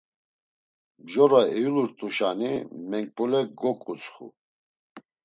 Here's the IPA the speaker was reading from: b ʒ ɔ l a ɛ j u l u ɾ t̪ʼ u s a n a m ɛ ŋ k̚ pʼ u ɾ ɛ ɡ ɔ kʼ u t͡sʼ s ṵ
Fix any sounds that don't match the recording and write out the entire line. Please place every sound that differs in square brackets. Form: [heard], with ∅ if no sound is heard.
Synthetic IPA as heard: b ʒ ɔ [ɾ] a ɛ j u l u ɾ t̪ʼ u [ʃ] a n [i] m ɛ ŋ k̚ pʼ u [l] ɛ ɡ ɔ kʼ u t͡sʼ [χ] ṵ